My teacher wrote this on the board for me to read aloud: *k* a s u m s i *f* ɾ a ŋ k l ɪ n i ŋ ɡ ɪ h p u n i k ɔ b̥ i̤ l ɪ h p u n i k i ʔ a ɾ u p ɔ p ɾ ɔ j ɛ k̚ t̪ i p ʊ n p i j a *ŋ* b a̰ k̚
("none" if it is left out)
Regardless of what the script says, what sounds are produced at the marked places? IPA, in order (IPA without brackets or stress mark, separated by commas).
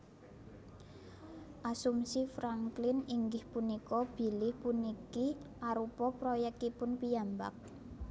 ʔ, f, m